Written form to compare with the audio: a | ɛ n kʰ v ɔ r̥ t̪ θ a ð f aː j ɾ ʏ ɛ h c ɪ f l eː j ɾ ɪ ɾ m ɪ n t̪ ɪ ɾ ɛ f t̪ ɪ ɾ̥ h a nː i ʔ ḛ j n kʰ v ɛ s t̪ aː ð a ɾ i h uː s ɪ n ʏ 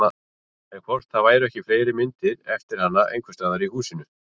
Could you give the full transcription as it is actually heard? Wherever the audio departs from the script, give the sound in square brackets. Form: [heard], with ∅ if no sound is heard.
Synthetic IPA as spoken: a | ɛ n kʰ v ɔ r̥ t̪ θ a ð [v] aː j ɾ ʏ ɛ h c ɪ f l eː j ɾ ɪ [∅] m ɪ n t̪ ɪ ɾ ɛ f t̪ ɪ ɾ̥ h a nː [a] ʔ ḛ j [ŋ] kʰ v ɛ s t̪ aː ð a ɾ i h uː s ɪ n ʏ